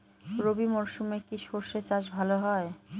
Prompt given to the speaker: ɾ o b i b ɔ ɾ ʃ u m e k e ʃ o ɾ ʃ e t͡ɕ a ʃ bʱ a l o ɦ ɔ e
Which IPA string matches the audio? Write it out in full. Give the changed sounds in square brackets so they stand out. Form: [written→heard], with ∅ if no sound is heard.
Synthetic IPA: ɾ o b i [b→m] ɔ ɾ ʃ u m e k [e→i] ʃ o ɾ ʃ e t͡ɕ a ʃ bʱ a l o ɦ ɔ e